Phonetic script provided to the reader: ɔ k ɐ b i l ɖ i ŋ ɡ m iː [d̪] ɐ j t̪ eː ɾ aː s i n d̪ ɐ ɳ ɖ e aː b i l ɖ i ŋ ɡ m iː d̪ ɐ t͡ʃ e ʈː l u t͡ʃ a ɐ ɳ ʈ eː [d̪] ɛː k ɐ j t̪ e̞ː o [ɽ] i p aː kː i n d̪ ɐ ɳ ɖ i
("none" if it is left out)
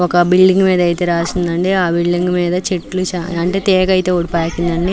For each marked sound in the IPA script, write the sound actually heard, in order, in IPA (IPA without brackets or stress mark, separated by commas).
d̪, t̪, ɽ